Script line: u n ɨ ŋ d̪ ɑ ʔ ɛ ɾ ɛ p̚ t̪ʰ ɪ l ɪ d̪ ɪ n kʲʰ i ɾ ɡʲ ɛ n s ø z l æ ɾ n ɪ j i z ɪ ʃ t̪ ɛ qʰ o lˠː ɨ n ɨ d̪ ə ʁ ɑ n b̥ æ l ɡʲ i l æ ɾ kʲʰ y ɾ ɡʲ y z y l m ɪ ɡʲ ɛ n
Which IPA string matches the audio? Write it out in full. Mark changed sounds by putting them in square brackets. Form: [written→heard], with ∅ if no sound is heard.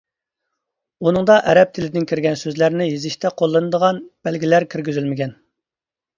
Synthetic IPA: u n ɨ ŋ d̪ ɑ ʔ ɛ ɾ ɛ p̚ t̪ʰ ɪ l ɪ d̪ ɪ n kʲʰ i ɾ ɡʲ ɛ n s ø z l æ ɾ n ɪ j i z ɪ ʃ t̪ ɛ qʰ o lˠː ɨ n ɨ d̪ ə ʁ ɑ n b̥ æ l ɡʲ i l æ ɾ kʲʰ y ɾ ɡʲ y z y l m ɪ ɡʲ ɛ n